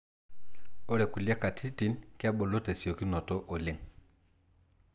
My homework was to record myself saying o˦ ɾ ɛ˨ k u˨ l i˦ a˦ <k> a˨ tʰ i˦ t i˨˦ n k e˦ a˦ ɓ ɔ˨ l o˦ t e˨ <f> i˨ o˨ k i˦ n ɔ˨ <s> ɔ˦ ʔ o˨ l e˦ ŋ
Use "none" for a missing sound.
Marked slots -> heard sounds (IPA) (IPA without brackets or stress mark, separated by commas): k, s, t